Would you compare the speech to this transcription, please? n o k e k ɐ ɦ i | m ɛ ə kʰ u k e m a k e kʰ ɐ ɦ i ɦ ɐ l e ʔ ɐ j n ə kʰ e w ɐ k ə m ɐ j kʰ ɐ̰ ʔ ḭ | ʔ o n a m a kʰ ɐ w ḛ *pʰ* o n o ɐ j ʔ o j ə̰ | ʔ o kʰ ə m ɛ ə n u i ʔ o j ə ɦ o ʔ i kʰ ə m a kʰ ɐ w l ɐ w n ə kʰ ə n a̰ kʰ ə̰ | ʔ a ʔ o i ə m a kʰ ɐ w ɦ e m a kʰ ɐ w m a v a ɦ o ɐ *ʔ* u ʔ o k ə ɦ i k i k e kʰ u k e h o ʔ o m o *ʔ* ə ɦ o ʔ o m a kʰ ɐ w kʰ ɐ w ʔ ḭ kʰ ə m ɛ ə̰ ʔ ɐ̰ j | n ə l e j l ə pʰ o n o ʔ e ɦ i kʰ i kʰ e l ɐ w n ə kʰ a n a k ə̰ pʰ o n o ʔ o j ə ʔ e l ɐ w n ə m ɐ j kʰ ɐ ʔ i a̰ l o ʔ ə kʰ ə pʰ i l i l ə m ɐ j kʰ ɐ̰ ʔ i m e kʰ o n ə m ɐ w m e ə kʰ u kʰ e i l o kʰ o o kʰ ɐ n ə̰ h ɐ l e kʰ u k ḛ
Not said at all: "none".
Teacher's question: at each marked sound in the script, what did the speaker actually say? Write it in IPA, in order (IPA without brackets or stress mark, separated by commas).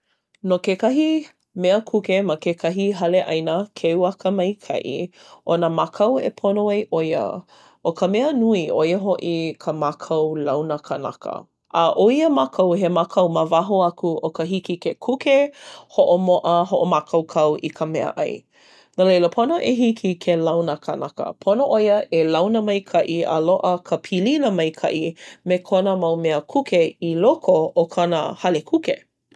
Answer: pʰ, k, ʔ